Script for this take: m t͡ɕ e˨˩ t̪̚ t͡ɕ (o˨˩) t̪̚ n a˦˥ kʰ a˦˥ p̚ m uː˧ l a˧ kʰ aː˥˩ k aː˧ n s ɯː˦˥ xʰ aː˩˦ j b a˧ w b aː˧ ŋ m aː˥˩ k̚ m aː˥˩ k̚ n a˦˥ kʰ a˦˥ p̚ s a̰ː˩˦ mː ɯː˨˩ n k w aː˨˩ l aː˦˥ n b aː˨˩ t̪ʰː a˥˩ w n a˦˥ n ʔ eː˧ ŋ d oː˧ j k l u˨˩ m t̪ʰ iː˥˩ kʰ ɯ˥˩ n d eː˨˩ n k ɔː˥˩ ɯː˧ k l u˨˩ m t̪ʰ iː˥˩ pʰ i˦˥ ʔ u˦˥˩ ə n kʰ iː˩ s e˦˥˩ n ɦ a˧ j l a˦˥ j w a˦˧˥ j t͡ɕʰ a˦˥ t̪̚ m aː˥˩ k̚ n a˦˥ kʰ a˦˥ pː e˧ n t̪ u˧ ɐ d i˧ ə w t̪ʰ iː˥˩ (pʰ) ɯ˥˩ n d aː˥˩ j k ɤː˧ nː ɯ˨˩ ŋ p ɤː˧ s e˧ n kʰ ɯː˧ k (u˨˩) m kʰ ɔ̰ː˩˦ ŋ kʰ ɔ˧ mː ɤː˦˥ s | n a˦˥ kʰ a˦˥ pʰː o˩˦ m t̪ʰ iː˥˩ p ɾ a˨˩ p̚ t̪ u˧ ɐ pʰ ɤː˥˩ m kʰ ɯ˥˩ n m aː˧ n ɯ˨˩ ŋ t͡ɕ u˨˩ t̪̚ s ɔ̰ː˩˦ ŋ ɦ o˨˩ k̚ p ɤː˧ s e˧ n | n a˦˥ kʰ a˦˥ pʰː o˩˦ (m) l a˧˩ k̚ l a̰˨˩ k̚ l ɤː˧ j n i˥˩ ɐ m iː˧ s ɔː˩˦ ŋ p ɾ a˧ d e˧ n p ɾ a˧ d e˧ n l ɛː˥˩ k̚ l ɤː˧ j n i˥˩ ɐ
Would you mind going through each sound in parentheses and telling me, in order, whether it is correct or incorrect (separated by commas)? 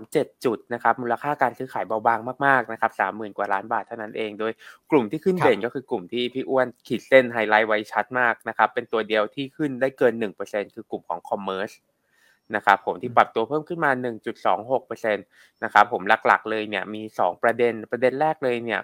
incorrect, incorrect, correct, correct